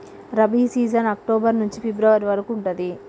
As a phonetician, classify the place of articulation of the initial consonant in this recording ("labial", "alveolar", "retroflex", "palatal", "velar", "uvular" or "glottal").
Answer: alveolar